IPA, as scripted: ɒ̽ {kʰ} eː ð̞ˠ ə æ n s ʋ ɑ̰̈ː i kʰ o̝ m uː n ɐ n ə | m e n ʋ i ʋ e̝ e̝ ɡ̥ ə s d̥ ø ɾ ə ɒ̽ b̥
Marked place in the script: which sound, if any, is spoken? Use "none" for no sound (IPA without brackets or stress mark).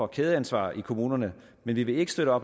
kʰ